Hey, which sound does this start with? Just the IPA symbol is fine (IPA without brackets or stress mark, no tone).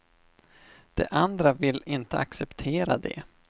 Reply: d̪̥